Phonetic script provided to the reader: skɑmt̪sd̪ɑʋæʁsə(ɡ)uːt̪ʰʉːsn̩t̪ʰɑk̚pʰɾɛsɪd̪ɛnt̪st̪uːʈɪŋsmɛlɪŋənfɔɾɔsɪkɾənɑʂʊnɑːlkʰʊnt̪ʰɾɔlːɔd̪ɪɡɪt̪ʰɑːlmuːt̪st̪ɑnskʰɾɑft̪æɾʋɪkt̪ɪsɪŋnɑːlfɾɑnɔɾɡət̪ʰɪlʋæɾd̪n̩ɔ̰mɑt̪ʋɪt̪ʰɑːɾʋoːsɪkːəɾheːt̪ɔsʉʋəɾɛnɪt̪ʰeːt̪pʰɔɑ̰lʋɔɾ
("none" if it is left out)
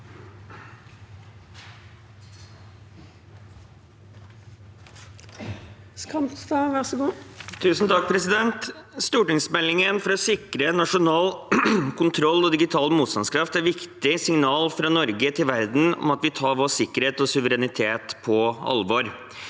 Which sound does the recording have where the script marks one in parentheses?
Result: ɡ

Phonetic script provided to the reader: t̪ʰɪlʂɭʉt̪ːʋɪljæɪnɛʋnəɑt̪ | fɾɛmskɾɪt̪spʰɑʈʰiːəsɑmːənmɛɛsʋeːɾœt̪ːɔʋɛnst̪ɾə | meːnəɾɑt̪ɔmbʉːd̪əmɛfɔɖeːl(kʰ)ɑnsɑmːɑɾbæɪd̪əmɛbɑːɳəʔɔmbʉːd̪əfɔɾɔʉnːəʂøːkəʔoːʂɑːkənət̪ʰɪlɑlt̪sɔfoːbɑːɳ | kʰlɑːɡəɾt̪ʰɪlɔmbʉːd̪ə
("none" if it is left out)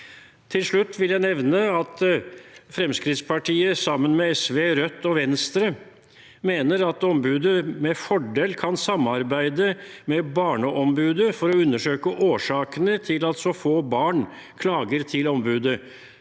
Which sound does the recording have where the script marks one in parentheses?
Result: kʰ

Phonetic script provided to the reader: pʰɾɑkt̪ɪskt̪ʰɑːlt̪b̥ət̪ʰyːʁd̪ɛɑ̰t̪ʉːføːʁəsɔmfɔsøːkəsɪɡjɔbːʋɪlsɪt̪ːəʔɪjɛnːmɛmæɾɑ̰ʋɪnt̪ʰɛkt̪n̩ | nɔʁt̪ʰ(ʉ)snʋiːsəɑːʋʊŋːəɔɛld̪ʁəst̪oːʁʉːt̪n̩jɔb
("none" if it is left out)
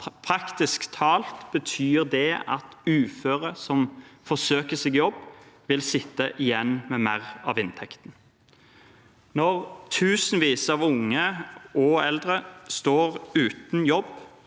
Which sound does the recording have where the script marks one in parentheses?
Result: ʉː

